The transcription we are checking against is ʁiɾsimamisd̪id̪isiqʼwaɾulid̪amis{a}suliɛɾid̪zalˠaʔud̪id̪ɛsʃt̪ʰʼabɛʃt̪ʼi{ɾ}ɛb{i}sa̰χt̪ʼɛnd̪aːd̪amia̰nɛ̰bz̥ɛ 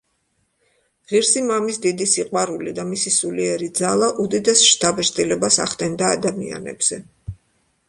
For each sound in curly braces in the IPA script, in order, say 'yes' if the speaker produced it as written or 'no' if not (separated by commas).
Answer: no, no, no